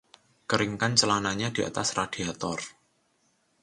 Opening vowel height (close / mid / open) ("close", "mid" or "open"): mid